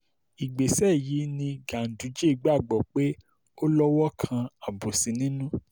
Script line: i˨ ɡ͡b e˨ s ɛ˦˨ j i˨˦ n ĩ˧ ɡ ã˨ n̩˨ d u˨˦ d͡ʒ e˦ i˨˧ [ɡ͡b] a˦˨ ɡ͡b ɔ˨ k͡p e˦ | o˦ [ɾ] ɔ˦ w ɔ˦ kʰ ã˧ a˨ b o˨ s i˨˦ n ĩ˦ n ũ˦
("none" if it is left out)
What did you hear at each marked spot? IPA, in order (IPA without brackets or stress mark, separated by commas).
ɡ͡b, l